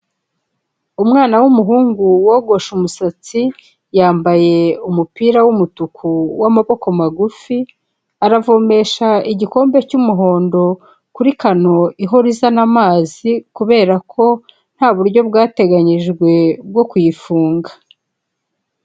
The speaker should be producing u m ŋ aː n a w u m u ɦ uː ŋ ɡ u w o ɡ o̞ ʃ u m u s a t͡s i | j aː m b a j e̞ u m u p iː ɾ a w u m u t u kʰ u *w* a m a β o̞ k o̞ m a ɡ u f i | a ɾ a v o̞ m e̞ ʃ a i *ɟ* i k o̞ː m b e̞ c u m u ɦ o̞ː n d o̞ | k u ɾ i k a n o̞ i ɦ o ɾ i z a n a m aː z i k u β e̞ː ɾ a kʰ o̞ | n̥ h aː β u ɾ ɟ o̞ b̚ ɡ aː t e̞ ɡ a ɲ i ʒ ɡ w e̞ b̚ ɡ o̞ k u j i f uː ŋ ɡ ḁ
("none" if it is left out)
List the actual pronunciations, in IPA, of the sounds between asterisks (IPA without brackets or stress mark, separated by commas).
w, ɟ